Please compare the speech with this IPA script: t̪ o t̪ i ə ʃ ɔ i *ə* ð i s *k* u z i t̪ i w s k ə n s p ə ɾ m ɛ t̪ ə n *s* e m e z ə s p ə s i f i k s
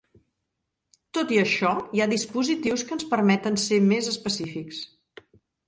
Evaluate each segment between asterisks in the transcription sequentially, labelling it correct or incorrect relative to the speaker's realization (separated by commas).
incorrect, incorrect, correct